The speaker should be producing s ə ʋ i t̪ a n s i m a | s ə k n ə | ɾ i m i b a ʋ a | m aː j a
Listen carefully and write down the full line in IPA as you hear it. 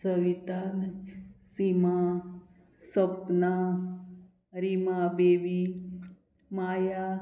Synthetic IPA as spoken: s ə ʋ i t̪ a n s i m a | s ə p n a | ɾ i m a b e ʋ i | m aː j a